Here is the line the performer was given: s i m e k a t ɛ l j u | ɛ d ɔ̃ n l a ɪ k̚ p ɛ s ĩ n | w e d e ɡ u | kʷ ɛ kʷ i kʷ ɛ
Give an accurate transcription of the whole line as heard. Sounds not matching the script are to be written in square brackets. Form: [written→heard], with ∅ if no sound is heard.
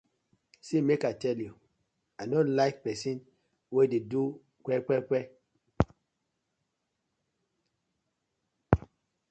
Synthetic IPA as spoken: s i m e k a t ɛ l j u | [ɛ→a] d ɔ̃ n l a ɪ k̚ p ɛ s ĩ n | w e d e [ɡ→d] u | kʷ ɛ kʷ [i→ɛ] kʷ ɛ